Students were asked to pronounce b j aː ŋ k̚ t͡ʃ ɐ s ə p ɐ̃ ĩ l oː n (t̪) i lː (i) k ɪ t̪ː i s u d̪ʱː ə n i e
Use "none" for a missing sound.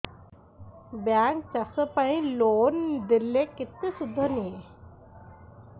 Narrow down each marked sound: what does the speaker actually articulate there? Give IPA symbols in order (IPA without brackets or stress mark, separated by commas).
d̪, e